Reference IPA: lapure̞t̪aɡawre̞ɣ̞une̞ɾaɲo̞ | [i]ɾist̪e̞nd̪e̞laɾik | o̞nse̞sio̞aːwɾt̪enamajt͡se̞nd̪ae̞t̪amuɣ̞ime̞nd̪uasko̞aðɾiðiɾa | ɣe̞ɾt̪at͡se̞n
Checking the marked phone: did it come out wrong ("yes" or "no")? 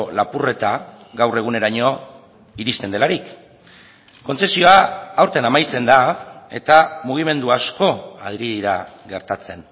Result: no